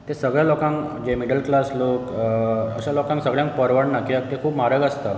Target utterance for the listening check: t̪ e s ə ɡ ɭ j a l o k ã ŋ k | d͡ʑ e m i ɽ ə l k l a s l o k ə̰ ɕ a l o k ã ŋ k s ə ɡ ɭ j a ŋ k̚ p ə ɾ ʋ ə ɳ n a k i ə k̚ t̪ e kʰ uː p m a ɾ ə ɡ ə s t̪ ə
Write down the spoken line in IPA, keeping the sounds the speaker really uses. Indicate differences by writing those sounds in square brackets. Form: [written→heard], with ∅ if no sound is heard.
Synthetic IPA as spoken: t̪ e s ə ɡ ɭ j a l o k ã ŋ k | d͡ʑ e m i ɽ ə l k l a s l o k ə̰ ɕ a l o k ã ŋ k s ə ɡ ɭ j a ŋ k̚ p ə ɾ ʋ ə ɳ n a k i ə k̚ t̪ e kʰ uː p m a ɾ ə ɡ ə s t̪ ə

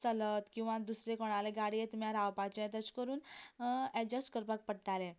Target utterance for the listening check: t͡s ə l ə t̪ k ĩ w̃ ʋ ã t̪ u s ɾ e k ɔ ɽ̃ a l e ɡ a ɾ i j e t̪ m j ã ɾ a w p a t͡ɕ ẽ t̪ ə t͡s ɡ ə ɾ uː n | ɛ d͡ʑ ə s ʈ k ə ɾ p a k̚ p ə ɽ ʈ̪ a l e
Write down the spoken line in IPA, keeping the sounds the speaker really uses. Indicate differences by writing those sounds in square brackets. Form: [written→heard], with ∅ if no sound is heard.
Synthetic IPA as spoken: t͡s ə l ə t̪ k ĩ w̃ ʋ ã [t̪→d̪] u s ɾ e k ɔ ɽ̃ a l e ɡ a [ɾ→ɽ] i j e t̪ m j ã ɾ a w p a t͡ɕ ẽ t̪ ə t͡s [ɡ→k] ə ɾ uː n | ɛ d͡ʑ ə s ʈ k ə ɾ p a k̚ p ə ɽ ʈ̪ a l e

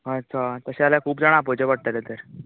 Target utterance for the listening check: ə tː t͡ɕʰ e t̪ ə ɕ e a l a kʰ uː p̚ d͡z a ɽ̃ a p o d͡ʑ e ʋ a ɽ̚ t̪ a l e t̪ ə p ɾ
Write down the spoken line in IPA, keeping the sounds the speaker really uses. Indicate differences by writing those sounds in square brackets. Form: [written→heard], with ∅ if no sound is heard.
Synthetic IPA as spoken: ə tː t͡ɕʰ [e→a] t̪ ə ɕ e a l a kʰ uː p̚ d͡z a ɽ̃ a p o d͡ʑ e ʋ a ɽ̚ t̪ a l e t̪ ə [p→∅] ɾ

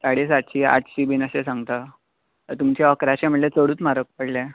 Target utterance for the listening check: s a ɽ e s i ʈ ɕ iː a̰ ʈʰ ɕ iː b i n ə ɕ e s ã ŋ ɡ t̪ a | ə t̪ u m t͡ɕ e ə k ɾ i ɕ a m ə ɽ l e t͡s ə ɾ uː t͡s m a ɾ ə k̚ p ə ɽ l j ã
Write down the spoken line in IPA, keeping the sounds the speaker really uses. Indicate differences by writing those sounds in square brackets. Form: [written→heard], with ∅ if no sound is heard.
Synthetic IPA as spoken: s a ɽ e s [i→a] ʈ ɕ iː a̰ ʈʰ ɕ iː b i n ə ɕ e s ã ŋ ɡ t̪ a | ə t̪ u m t͡ɕ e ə k ɾ [i→a] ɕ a m ə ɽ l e t͡s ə [ɾ→ɽ] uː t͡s m a ɾ ə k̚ p ə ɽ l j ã

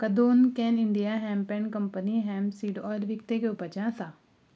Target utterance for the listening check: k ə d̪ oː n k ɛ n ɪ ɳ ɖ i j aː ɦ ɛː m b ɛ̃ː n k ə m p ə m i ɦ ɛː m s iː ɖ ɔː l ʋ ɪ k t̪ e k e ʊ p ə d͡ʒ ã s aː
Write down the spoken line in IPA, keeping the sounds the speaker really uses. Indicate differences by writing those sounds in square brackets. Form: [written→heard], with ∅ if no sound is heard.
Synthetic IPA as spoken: k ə d̪ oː n k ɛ n ɪ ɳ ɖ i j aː ɦ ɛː m [b→p] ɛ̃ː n k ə m p ə [m→n] i ɦ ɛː m s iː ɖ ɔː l ʋ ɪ k t̪ e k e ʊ p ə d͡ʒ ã s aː

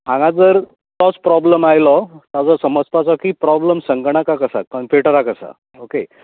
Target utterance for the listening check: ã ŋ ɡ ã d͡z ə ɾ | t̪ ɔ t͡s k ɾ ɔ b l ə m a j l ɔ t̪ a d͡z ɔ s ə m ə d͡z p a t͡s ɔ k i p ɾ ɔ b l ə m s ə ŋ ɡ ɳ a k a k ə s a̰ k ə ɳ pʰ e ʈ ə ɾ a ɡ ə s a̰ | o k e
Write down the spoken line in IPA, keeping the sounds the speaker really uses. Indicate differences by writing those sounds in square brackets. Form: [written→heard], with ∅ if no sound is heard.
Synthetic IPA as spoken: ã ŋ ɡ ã d͡z ə ɾ | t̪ ɔ t͡s [k→p] ɾ ɔ b l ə m a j l ɔ t̪ a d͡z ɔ s ə m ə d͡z p a t͡s ɔ k i p ɾ ɔ b l ə m s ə ŋ ɡ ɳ a k a k ə s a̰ k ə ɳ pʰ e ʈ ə ɾ a [ɡ→k] ə s a̰ | o k e

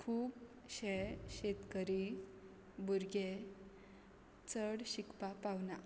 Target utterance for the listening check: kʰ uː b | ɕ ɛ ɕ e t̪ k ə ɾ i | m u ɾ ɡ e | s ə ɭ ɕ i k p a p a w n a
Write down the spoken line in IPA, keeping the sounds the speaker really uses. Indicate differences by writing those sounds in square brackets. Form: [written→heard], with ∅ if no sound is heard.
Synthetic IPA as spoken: kʰ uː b | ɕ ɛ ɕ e t̪ k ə ɾ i | [m→b] u ɾ ɡ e | [s→t͡s] ə [ɭ→ɽ] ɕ i k p a p a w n a

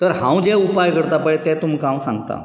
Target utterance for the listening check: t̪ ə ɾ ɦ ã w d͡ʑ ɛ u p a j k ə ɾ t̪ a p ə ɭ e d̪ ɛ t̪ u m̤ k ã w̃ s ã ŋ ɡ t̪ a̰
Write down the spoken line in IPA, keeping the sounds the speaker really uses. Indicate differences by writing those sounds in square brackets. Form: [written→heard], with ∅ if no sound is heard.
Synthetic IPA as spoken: t̪ ə ɾ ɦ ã w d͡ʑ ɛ u p a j k ə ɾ t̪ a p ə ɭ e [d̪→t̪] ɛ t̪ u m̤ k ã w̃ s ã ŋ ɡ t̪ a̰

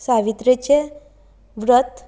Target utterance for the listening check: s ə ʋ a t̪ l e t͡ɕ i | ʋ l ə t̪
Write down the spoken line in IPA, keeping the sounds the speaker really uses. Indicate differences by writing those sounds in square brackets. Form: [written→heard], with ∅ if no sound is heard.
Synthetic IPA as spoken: s [ə→a] ʋ [a→i] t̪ [l→ɾ] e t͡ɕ [i→e] | ʋ [l→ɾ] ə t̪

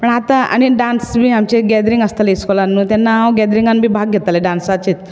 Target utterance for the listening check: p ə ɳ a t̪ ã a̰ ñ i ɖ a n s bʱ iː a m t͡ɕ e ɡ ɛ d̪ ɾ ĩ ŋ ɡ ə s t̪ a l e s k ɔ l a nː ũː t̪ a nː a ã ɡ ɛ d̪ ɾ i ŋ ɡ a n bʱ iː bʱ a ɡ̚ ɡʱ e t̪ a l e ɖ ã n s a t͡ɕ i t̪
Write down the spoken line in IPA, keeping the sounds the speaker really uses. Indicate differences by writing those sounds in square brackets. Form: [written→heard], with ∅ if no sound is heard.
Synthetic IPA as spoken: p ə ɳ a t̪ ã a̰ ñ i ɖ a n s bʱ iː a m t͡ɕ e ɡ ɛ d̪ ɾ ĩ ŋ ɡ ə s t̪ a l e s k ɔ l a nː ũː t̪ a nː a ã ɡ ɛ d̪ ɾ i ŋ ɡ a n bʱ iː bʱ a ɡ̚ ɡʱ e t̪ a l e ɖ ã n s a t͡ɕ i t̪

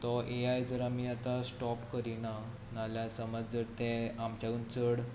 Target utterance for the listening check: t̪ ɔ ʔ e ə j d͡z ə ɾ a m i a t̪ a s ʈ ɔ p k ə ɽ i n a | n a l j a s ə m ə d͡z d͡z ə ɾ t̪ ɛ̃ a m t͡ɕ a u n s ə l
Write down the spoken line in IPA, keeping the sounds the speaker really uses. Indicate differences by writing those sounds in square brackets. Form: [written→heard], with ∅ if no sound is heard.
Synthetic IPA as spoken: t̪ ɔ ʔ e [ə→a] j d͡z ə ɾ a m i a t̪ a s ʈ ɔ p k ə [ɽ→ɾ] i n a | n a l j a s ə m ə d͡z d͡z ə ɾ t̪ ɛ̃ a m t͡ɕ a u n [s→t͡s] ə [l→ɽ]

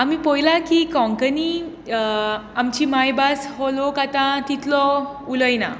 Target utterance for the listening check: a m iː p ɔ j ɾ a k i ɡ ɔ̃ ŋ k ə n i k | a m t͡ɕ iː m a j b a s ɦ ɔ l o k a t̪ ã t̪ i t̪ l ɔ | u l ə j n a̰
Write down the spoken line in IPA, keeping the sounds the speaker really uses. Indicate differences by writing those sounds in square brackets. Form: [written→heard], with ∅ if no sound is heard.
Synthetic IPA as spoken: a m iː p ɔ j [ɾ→l] a k i [ɡ→k] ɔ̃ ŋ k ə n i [k→∅] | a m t͡ɕ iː m a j b a s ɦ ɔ l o k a t̪ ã t̪ i t̪ l ɔ | u l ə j n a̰

